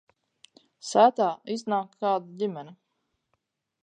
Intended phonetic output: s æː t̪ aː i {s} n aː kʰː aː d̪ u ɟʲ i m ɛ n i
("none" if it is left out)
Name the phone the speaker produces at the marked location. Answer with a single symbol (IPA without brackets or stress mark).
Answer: z